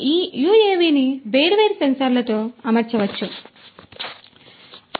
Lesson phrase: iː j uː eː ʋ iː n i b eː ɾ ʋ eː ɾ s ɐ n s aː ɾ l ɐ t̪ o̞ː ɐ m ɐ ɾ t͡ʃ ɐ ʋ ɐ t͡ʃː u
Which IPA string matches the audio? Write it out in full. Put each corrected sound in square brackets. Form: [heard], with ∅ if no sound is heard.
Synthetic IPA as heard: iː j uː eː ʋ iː n i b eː ɾ ʋ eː ɾ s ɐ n s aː ɾ l ɐ t̪ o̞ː ɐ m ɐ ɾ t͡ʃ ɐ ʋ ɐ t͡ʃː u